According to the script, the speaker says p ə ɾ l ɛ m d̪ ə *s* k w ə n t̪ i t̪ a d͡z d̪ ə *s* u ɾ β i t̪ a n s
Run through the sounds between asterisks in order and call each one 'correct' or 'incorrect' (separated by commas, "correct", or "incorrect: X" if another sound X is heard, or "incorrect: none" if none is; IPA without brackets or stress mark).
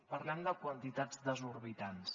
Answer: incorrect: none, incorrect: z